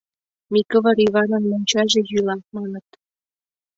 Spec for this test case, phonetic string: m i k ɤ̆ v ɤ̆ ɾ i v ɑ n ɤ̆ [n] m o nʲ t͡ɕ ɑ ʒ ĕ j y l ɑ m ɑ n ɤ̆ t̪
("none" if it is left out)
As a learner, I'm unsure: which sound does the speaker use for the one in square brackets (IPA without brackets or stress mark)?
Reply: n